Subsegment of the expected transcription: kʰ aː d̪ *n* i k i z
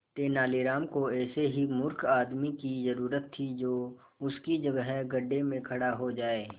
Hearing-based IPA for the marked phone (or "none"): m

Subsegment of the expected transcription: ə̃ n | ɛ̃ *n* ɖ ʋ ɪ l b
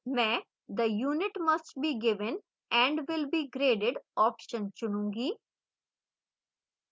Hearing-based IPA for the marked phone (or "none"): ɳ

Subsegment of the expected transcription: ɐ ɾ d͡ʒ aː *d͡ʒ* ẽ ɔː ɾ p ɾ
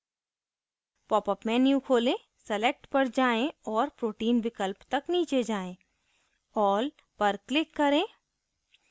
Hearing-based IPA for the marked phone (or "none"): none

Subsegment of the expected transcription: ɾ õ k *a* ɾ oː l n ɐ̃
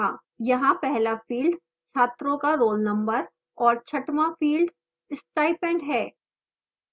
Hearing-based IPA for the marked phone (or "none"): a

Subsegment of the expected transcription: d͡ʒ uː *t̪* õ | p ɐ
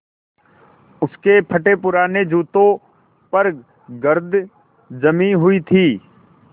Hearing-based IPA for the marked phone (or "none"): t̪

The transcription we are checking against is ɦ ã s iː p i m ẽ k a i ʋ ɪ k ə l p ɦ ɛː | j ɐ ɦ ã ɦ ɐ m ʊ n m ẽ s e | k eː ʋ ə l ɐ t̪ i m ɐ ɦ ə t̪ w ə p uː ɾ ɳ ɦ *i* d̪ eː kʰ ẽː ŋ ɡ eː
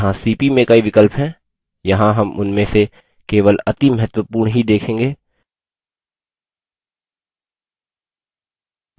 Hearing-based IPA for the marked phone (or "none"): i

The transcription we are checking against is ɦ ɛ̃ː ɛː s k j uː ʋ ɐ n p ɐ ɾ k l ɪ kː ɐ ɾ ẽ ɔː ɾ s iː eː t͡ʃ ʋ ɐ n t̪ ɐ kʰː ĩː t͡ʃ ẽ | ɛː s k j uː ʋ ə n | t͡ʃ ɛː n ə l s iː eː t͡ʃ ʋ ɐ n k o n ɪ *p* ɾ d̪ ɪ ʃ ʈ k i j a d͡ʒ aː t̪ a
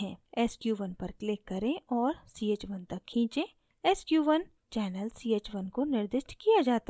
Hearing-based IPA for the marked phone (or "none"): none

